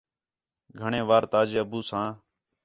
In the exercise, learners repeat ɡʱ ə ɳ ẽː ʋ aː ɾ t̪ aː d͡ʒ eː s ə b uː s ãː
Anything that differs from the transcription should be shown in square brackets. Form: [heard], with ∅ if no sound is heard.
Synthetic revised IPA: ɡʱ ə ɳ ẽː ʋ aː ɾ t̪ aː d͡ʒ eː [∅] ə b uː s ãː